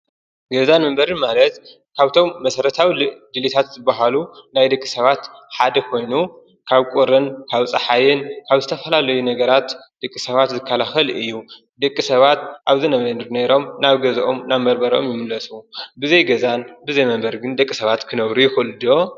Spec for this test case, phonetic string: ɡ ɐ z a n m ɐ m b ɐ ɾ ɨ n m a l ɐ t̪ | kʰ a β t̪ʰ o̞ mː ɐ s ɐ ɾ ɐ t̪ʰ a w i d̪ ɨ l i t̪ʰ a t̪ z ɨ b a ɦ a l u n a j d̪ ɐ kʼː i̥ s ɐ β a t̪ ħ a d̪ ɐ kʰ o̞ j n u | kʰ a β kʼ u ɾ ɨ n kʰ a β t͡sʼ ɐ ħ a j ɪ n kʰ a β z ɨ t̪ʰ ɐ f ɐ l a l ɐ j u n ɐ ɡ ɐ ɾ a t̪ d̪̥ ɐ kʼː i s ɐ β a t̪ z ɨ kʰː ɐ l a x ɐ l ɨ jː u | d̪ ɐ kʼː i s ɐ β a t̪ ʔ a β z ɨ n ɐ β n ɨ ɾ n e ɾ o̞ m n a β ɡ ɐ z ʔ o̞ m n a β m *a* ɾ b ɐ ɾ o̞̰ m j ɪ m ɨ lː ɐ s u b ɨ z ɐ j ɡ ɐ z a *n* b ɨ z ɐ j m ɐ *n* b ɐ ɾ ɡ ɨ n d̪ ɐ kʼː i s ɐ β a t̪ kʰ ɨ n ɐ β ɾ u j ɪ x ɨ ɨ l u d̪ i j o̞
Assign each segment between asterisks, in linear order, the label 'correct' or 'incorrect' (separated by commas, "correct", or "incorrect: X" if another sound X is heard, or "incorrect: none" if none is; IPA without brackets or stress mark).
incorrect: ɐ, correct, incorrect: m